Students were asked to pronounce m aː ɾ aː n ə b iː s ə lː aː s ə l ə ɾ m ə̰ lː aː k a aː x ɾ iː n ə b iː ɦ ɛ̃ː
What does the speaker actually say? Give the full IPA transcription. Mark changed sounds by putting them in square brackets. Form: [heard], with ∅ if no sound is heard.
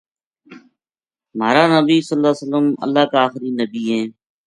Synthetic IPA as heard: m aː ɾ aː n ə b iː s ə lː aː s ə l ə [∅] m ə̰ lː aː k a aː x ɾ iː n ə b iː ɦ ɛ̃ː